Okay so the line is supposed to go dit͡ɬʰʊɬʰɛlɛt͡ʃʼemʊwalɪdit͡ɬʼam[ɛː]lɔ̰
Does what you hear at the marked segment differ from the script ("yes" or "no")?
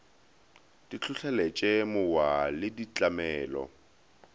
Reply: no